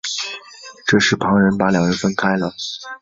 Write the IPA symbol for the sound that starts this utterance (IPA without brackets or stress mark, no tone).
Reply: ʈ͡ʂ